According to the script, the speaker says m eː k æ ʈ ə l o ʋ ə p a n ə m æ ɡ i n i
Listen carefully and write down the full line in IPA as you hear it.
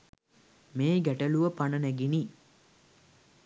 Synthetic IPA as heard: m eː ɡ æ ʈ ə l u ʋ ə p a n ə n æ ɡ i n i